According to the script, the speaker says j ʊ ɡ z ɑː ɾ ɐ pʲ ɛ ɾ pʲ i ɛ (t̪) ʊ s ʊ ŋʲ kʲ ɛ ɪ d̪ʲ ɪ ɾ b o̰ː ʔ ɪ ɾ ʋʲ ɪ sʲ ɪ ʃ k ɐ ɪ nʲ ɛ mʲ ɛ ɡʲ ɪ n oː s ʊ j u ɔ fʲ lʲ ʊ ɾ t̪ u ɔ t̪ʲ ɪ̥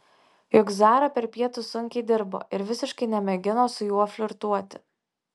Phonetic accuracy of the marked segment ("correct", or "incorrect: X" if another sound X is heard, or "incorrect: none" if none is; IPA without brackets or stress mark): correct